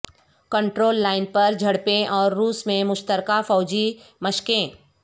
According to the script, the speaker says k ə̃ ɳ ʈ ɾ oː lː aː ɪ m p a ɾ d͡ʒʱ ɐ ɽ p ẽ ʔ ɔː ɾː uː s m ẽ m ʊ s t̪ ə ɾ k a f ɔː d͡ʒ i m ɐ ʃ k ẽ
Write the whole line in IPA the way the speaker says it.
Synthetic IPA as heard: k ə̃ ɳ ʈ ɾ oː lː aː ɪ n p ɐ ɾ d͡ʒʱ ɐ ɽ p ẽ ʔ ɔː ɾː uː s m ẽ m ʊ ʃ t̪ ə ɾ k a f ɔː d͡ʒ i m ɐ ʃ k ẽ